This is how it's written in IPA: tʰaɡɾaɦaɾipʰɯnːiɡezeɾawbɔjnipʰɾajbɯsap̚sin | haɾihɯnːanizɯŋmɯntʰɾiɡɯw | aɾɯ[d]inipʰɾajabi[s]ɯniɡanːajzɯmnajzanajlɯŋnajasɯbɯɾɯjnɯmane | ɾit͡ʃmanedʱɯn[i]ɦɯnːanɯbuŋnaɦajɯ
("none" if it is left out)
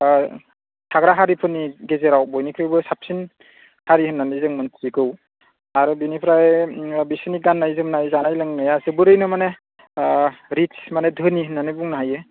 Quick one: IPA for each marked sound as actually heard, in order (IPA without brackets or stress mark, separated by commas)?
b, s, i